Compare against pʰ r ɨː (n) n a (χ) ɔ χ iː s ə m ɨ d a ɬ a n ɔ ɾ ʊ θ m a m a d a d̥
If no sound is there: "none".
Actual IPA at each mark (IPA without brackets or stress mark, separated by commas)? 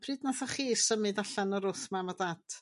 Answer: d, θ